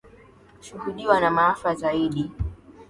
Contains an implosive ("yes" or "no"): yes